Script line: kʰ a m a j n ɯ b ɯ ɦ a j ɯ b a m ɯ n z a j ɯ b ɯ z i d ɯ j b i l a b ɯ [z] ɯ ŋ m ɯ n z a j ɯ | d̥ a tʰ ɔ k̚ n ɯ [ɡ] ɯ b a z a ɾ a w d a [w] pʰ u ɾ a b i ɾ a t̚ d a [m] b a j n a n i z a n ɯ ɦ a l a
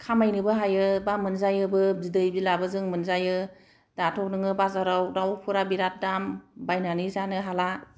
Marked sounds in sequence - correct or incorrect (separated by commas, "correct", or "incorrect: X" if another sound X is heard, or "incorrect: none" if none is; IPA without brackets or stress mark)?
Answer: correct, incorrect: ŋ, correct, correct